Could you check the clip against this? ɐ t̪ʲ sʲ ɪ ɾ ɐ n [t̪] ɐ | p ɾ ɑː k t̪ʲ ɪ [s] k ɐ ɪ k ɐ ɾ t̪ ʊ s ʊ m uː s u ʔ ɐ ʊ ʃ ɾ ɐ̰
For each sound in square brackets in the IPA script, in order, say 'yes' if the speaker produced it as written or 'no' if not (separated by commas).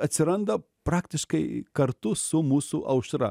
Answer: no, no